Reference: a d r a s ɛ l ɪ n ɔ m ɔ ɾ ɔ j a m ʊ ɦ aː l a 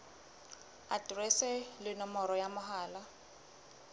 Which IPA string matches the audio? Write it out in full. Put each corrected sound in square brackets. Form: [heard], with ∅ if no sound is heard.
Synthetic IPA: a d r [ɛ] s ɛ l ɪ n ɔ m ɔ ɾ ɔ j a m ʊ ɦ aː l a